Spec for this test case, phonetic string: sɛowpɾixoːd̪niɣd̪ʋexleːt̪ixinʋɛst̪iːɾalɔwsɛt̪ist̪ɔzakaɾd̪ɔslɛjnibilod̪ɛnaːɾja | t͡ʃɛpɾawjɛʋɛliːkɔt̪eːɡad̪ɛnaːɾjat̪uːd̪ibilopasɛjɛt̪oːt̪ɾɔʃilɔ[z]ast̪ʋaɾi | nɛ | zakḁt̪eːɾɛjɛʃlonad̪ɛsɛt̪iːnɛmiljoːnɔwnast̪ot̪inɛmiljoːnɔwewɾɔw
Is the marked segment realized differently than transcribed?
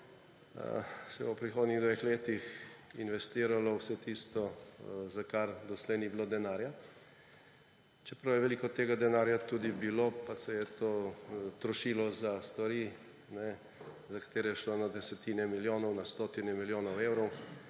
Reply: no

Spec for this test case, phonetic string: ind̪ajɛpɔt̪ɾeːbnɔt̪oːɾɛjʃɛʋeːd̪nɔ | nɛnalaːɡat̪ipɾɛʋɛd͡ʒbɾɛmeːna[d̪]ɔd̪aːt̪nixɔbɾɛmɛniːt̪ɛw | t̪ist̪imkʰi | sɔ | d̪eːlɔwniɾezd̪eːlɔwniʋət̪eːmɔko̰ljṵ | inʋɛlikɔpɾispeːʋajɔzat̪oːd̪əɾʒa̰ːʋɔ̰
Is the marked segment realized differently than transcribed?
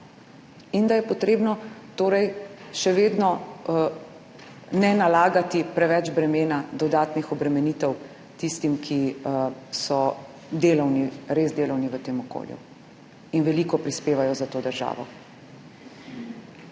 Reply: no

